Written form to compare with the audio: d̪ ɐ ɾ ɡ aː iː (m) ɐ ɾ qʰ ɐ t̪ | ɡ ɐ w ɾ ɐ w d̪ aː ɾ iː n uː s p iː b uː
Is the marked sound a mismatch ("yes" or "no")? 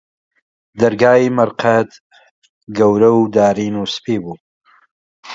no